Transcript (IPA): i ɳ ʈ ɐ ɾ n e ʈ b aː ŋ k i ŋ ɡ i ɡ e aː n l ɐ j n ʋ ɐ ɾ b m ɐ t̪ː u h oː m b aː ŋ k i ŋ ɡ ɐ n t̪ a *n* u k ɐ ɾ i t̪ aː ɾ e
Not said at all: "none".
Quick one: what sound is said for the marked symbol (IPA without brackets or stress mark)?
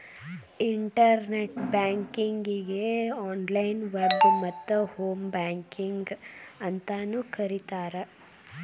n